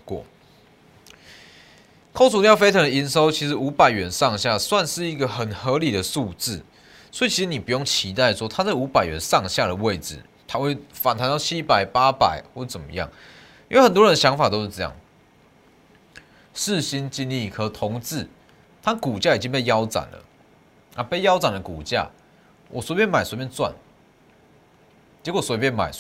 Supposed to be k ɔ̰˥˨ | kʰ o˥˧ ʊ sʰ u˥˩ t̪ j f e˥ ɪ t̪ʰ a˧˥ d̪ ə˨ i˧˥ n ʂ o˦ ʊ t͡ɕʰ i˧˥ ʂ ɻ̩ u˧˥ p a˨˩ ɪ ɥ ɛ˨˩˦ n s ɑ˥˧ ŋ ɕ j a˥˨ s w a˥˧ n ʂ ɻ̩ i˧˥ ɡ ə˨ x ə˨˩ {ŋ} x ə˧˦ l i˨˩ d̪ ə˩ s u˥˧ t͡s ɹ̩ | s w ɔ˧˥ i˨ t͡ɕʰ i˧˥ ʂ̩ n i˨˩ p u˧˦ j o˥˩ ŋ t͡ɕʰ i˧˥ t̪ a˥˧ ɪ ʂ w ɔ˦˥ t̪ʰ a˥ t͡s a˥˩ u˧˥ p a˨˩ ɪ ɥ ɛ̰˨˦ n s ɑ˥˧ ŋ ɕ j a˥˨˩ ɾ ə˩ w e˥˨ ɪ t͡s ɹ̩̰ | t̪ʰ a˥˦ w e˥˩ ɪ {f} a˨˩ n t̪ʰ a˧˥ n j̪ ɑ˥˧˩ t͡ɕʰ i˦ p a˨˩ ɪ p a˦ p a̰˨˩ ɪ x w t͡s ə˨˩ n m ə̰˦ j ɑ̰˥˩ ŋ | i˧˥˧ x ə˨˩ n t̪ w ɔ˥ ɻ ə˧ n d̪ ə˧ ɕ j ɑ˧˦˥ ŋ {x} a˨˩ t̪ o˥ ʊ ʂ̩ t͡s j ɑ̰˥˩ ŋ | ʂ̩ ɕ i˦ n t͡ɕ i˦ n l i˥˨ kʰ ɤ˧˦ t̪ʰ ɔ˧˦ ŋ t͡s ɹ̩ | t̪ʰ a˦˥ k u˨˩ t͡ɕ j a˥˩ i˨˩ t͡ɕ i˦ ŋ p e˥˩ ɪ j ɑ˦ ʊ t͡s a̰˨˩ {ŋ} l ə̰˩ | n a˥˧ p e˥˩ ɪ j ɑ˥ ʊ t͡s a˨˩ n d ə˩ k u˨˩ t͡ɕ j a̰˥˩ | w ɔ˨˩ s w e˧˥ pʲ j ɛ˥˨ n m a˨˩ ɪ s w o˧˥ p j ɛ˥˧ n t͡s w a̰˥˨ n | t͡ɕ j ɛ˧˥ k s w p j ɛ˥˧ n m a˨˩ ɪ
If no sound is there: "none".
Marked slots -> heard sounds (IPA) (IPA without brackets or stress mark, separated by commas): n, f, f, n